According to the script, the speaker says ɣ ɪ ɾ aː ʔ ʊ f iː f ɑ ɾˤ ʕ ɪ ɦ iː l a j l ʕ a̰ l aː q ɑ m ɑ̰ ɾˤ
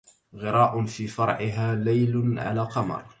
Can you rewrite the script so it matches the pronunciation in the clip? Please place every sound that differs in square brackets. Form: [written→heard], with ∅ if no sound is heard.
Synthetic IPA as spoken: ɣ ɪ ɾ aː ʔ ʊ f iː f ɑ ɾˤ ʕ ɪ ɦ [iː→aː] l a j l ʕ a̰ l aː q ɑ m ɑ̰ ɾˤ